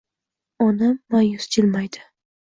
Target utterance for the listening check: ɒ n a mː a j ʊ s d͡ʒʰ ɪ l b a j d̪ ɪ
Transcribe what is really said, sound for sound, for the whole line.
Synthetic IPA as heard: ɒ n a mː a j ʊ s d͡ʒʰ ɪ l m a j d̪ ɪ